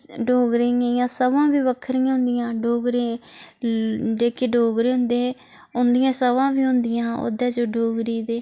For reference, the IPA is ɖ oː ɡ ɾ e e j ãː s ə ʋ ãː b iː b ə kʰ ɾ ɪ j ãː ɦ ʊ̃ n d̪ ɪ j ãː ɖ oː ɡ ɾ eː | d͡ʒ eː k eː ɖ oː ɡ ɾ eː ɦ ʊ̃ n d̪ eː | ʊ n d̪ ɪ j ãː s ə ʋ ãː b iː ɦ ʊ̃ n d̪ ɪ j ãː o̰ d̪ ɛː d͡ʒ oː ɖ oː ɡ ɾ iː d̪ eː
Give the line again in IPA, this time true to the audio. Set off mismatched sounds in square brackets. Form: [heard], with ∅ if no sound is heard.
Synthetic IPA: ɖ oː ɡ ɾ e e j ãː s ə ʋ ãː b iː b ə kʰ ɾ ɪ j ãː ɦ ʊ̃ n d̪ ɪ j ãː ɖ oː ɡ ɾ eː | d͡ʒ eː k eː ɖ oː ɡ ɾ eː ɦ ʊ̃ n d̪ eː | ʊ n d̪ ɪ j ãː s ə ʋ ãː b iː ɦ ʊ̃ n d̪ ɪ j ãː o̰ d̪ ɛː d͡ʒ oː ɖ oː ɡ ɾ iː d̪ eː